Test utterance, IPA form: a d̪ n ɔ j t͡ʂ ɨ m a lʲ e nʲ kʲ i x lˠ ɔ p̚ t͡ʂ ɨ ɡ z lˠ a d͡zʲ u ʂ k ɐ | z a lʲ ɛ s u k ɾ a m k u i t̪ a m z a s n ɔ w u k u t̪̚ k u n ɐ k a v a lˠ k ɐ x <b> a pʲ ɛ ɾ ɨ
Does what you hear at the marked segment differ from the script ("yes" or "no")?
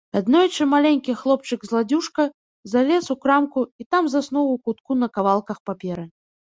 yes